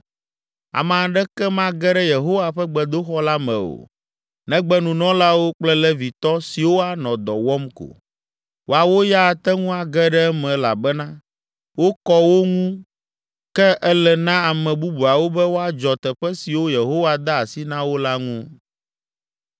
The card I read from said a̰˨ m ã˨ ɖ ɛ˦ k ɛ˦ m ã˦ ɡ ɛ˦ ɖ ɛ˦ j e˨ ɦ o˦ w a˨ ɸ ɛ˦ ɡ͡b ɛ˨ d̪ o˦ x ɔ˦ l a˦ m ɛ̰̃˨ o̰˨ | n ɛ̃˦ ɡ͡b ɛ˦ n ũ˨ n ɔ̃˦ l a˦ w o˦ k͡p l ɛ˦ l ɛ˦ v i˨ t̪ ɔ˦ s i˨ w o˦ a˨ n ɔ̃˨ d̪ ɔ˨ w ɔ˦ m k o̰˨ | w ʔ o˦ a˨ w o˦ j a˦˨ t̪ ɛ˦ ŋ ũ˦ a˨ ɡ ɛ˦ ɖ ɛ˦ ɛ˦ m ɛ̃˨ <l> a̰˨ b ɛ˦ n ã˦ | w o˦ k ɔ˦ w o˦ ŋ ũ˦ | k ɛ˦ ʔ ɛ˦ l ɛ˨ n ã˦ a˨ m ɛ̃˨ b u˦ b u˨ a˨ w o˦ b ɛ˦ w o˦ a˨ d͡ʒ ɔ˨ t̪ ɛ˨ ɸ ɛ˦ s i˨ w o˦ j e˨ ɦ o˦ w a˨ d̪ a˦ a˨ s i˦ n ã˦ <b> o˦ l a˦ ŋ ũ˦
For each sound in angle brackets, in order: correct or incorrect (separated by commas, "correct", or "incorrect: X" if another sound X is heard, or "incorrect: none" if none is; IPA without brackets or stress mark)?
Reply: correct, incorrect: w